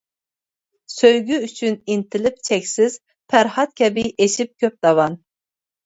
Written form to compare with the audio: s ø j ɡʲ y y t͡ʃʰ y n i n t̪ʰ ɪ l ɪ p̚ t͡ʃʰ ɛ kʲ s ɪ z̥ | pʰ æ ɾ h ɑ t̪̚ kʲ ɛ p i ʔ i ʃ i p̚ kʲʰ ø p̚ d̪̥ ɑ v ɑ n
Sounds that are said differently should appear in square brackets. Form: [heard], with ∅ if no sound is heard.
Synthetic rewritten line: s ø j ɡʲ y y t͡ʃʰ y n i n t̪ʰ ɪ l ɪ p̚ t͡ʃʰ ɛ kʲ s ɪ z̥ | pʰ æ ɾ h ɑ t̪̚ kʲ ɛ [b] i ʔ [e] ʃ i p̚ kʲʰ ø p̚ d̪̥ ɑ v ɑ n